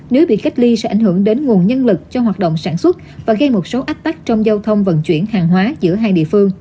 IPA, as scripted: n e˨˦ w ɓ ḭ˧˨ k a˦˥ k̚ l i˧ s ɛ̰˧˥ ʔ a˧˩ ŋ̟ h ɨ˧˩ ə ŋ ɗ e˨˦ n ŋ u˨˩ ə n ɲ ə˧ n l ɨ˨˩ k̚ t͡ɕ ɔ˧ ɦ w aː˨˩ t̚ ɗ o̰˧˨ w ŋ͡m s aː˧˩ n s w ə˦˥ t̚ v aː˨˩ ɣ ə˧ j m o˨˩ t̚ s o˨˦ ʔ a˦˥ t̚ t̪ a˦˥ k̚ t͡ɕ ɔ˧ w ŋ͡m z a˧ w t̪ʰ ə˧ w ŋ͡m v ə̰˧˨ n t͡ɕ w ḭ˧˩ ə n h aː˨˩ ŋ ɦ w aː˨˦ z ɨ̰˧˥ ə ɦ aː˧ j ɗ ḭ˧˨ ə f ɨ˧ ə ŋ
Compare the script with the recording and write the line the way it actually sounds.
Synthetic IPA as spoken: n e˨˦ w ɓ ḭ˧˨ k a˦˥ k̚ l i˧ s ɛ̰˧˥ ʔ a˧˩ ŋ̟ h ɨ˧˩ ə ŋ ɗ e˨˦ n ŋ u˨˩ ə n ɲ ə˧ n l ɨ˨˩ k̚ t͡ɕ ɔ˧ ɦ w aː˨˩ t̚ ɗ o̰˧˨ w ŋ͡m s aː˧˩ n s w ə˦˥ t̚ v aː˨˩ ɣ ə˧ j m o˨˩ t̚ s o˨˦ ʔ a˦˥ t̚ t̪ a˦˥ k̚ t͡ɕ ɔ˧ w ŋ͡m z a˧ w t̪ʰ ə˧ w ŋ͡m v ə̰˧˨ n t͡ɕ w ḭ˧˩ ə n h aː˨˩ ŋ ɦ w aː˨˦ z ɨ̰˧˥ ə ɦ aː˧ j ɗ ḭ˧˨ ə f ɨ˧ ə ŋ